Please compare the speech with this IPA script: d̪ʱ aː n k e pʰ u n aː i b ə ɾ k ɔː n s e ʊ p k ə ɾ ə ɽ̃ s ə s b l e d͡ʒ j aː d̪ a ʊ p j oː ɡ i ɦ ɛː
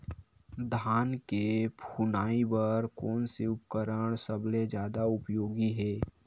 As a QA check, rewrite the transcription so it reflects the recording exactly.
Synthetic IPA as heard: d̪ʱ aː n k e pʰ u n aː i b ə ɾ k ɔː n s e ʊ p k ə ɾ ə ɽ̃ s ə b l e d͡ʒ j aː d̪ a ʊ p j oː ɡ i ɦ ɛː